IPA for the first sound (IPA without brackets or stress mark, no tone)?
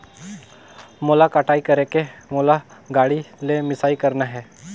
m